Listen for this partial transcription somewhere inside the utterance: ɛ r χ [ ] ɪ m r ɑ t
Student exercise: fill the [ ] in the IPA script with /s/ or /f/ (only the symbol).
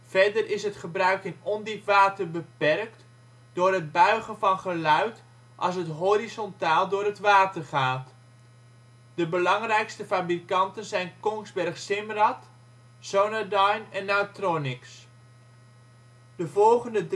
s